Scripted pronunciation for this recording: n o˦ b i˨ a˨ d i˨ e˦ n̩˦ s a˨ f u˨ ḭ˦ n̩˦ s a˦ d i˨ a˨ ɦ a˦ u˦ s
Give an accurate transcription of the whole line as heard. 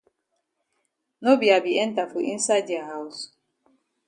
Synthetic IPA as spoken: n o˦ b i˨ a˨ b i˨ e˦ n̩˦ t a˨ f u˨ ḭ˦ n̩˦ s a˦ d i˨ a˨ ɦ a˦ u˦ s